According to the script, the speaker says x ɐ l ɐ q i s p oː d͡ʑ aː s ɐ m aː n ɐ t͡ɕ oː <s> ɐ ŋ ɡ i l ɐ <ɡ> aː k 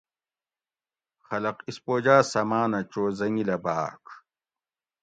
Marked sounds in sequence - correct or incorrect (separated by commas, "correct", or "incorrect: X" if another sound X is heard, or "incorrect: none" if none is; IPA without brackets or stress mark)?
incorrect: z, incorrect: b